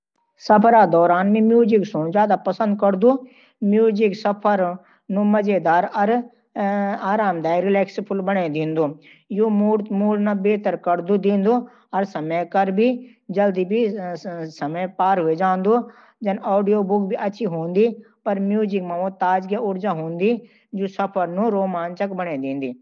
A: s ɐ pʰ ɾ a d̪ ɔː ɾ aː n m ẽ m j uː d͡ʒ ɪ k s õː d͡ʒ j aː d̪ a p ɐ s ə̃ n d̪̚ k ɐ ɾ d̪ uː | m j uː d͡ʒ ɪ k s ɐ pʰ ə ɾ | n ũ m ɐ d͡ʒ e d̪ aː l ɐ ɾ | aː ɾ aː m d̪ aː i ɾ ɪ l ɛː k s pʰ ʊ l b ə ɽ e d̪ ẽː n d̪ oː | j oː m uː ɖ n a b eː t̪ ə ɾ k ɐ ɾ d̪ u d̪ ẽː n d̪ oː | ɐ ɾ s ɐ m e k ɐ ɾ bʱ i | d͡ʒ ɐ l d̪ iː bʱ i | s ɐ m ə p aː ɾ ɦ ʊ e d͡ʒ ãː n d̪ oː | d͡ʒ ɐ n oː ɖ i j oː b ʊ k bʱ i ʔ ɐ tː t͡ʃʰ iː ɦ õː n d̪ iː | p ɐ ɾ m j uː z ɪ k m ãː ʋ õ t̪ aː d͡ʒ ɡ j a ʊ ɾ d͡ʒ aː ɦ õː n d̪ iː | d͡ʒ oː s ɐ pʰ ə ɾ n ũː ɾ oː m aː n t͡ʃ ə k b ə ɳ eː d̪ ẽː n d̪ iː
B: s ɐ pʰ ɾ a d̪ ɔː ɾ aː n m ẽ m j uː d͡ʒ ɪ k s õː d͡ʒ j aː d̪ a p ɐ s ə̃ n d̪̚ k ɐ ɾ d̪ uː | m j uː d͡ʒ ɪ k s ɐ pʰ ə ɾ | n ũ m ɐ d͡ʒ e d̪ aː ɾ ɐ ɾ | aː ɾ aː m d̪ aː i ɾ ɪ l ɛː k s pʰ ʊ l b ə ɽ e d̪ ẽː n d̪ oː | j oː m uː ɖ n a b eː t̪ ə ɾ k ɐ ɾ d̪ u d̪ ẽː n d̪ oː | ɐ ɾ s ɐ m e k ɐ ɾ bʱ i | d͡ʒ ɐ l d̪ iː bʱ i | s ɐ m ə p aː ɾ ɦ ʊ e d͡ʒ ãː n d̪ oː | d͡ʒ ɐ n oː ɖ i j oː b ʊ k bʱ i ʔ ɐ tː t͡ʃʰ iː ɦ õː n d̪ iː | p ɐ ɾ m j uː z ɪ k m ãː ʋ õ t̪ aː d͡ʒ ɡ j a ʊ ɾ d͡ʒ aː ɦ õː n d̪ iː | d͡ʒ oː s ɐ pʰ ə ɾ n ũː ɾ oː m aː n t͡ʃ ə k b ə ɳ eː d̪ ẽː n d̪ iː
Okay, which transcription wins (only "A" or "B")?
B